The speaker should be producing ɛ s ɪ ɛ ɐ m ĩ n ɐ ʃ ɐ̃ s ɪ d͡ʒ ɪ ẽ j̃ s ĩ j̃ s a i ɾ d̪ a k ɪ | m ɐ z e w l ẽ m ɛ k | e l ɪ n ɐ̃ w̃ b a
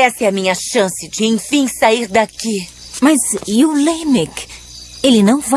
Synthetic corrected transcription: ɛ s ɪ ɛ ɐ m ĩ ɲ ɐ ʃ ɐ̃ s ɪ d͡ʒ ɪ ẽ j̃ f ĩ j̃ s a i ɾ d̪ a k i | m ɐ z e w l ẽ m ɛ k | e l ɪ n ɐ̃ w̃ v a

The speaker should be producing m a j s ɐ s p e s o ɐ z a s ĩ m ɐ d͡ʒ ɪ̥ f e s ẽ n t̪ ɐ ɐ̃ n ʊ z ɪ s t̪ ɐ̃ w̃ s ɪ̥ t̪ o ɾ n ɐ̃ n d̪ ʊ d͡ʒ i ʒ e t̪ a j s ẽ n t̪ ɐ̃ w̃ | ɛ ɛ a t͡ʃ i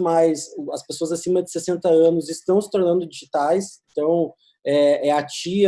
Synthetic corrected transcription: m a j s ɐ s p e s o ɐ z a s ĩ m ɐ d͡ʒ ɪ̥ s e s ẽ n t̪ ɐ ɐ̃ n ʊ z ɪ s t̪ ɐ̃ w̃ s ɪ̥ t̪ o ɾ n ɐ̃ n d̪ ʊ d͡ʒ i ʒ i t̪ a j s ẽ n t̪ ɐ̃ w̃ | ɛ ɛ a t͡ʃ i

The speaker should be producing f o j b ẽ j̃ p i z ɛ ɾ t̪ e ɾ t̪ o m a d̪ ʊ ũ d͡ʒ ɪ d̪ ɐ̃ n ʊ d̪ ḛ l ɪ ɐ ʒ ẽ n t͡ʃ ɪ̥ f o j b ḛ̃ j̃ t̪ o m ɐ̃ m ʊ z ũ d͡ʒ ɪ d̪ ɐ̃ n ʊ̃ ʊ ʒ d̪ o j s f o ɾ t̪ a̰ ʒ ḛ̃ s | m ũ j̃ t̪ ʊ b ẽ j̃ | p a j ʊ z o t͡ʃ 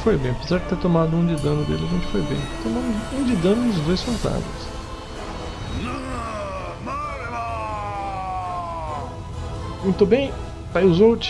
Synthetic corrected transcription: f o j b ẽ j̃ p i z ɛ ɾ t̪ e ɾ t̪ o m a d̪ ʊ ũ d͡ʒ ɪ d̪ ɐ̃ n ʊ d̪ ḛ l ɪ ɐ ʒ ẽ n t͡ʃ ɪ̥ f o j b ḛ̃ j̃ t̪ o m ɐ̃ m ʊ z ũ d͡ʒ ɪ d̪ ɐ̃ n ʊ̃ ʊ z d̪ o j s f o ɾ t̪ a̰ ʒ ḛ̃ s | m ũ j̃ t̪ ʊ b ẽ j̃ | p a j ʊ z o t͡ʃ

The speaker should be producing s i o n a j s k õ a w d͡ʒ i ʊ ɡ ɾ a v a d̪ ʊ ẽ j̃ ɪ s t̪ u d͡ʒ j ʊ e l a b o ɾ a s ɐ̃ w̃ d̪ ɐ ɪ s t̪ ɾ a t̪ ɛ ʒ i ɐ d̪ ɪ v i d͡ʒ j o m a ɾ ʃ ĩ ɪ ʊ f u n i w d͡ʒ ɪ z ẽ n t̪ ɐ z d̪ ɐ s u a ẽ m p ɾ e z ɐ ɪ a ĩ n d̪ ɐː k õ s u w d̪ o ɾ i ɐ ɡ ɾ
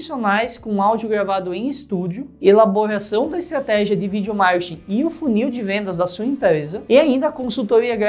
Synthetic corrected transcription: s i o n a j s k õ a w d͡ʒ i ʊ ɡ ɾ a v a d̪ ʊ ẽ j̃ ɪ s t̪ u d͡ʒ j ʊ e l a b o ɾ a s ɐ̃ w̃ d̪ ɐ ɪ s t̪ ɾ a t̪ ɛ ʒ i ɐ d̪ ɪ v i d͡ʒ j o m a ɾ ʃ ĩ ɪ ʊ f u n i w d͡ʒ ɪ v ẽ n d̪ ɐ z d̪ ɐ s u ɐ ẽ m p ɾ e z ɐ ɪ a ĩ n d̪ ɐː k õ s u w t̪ o ɾ i ɐ ɡ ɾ

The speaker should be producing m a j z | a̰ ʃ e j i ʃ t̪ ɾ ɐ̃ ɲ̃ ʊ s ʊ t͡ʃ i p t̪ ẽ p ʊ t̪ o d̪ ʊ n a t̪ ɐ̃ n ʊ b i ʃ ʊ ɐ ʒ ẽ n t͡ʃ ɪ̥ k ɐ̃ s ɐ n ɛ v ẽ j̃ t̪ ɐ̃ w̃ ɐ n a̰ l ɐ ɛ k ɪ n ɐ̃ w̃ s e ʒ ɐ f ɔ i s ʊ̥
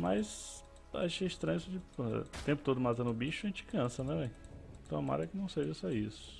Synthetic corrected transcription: m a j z | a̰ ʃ e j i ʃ t̪ ɾ ɐ̃ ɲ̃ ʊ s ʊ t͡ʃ i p t̪ ẽ p ʊ t̪ o d̪ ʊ m a t̪ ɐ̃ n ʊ b i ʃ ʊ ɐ ʒ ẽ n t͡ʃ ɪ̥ k ɐ̃ s ɐ n ɛ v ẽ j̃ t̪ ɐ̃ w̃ ɐ m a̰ ɾ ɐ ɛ k ɪ n ɐ̃ w̃ s e ʒ ɐ s ɔ i s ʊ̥

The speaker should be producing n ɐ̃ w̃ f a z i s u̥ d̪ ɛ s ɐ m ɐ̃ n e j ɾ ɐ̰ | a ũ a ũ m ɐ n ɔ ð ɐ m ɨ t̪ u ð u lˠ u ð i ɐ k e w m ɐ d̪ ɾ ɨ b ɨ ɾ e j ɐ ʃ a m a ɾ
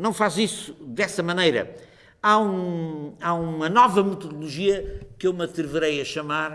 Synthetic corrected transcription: n ɐ̃ w̃ f a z i s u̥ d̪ ɛ s ɐ m ɐ n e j ɾ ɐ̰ | a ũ a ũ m ɐ n ɔ v ɐ m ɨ t̪ u ð u lˠ u ʒ i ɐ k e w m ɐ t̪ ɾ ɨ v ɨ ɾ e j ɐ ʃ ɐ m a ɾ

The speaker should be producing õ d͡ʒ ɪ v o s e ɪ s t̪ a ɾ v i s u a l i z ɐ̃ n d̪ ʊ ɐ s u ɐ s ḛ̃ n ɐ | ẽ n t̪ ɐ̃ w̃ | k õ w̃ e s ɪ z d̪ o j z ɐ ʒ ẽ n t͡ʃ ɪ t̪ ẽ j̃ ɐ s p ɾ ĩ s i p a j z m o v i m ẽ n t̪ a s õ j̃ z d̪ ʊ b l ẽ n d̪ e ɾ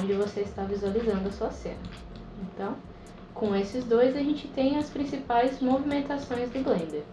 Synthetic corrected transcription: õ d͡ʒ ɪ v o s e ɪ s t̪ a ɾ v i z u a l i z ɐ̃ n d̪ ʊ ɐ s u ɐ s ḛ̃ n ɐ | ẽ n t̪ ɐ̃ w̃ | k õ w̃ e s ɪ z d̪ o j z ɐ ʒ ẽ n t͡ʃ ɪ t̪ ẽ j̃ ɐ s p ɾ ĩ s i p a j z m o v i m ẽ n t̪ a s õ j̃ z d̪ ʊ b l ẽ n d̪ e ɾ

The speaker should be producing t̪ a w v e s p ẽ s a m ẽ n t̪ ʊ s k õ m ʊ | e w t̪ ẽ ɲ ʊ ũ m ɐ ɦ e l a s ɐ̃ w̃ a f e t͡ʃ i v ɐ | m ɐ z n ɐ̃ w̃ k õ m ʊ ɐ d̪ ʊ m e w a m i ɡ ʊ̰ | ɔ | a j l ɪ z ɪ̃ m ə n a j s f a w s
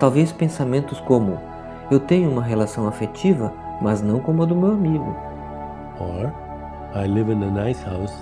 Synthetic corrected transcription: t̪ a w v e s p ẽ s a m ẽ n t̪ ʊ s k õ m ʊ | e w t̪ ẽ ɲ ʊ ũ m ɐ ɦ e l a s ɐ̃ w̃ a f e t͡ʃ i v ɐ | m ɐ z n ɐ̃ w̃ k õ m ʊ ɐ d̪ ʊ m e w a m i ɡ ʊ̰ | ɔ | a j l ɪ v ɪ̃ n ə n a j s h a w s

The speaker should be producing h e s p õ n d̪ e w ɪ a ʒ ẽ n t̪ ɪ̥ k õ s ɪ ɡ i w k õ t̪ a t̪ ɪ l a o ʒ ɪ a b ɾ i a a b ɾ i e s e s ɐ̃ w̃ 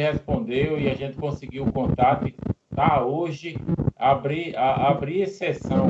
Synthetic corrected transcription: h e s p õ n d̪ e w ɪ a ʒ ẽ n t̪ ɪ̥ k õ s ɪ ɡ i w k õ t̪ a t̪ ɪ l a o ʒ ɪ a b ɾ i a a b ɾ i e s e s ɐ̃ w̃

